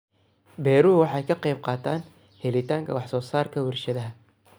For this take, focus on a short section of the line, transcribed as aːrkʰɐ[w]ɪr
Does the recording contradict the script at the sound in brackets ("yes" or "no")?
no